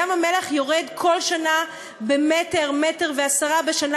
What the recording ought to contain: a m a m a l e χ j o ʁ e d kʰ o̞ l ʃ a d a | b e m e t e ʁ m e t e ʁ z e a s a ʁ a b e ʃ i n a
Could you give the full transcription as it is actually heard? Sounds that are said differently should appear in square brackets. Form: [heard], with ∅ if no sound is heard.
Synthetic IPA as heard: a m a m [e] l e χ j o ʁ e d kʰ o̞ l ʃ a [n] a | b e m e t e ʁ m e t e ʁ [v] e a s a ʁ a b e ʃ [a] n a